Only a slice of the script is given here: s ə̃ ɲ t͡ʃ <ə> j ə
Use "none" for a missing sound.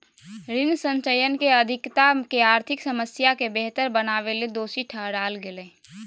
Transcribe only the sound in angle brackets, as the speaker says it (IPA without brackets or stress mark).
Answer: ə